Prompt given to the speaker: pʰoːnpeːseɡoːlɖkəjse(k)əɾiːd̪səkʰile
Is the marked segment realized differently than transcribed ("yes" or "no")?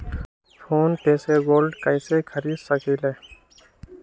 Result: yes